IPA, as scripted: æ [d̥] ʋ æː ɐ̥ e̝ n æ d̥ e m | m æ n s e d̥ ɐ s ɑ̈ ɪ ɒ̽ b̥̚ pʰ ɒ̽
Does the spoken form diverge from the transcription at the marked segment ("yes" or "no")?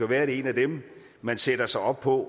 yes